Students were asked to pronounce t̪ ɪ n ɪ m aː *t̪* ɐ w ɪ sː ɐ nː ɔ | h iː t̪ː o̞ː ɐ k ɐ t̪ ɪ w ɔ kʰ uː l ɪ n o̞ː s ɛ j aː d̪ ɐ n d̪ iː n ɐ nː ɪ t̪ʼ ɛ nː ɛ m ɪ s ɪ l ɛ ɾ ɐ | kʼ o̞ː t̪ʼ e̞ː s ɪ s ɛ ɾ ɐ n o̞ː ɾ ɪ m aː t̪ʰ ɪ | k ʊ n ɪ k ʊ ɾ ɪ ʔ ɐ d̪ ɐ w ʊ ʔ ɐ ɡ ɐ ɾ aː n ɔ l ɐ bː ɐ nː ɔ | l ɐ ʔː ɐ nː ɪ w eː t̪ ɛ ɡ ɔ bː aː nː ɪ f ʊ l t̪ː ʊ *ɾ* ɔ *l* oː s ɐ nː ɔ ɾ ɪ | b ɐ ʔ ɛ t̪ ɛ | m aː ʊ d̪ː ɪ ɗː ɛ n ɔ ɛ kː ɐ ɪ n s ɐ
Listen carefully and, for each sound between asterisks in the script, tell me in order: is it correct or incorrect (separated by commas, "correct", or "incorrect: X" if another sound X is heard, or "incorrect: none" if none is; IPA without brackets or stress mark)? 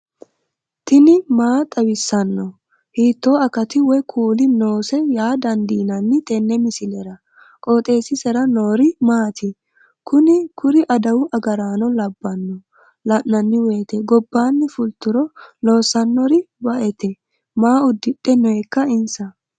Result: incorrect: t̪ʼ, correct, correct